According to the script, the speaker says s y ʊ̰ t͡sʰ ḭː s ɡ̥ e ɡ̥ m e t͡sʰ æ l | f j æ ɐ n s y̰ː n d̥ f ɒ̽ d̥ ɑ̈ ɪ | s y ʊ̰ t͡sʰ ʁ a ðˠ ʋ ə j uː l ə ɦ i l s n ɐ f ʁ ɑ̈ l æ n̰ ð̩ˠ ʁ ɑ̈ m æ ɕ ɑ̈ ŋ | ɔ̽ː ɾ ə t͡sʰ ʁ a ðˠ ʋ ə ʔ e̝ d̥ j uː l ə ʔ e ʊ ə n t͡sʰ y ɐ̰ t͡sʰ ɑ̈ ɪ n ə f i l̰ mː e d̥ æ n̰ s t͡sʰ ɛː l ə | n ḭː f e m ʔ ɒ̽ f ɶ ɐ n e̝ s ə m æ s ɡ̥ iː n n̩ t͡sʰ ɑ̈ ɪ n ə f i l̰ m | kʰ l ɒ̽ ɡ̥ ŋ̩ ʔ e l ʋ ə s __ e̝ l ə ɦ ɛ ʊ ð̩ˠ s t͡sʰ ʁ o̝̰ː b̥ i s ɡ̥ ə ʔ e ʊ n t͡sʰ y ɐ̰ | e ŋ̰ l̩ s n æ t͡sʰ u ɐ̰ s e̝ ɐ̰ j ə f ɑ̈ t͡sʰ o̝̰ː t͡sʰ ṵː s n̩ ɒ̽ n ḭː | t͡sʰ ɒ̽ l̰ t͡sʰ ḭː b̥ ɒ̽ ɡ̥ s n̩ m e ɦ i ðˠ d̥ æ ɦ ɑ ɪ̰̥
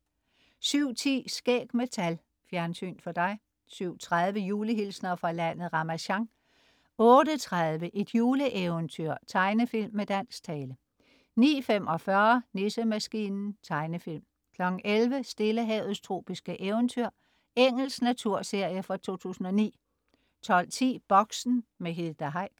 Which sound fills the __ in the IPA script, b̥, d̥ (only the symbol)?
d̥